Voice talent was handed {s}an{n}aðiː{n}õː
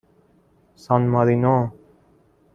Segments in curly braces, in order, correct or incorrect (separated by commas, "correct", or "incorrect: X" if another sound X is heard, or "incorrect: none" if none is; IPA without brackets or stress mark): correct, incorrect: m, correct